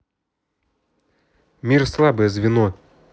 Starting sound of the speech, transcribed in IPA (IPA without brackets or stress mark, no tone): mʲ